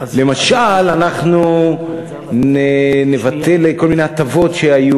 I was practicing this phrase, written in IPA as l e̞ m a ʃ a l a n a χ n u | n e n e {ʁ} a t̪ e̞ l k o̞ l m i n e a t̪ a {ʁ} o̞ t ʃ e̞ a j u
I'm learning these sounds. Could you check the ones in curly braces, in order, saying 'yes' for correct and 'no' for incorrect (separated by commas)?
no, no